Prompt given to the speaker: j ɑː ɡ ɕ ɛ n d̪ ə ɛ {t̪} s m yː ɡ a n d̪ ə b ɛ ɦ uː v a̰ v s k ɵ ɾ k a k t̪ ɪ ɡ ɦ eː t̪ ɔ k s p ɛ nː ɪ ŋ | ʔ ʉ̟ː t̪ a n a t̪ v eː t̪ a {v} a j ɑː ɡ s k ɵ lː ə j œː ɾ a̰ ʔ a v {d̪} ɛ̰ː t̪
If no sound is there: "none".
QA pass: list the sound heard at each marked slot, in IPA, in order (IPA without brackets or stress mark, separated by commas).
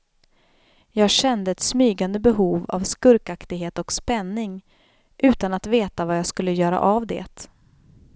t̪, v, d̪